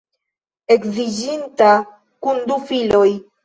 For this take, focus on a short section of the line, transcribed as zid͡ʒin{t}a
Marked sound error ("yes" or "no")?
no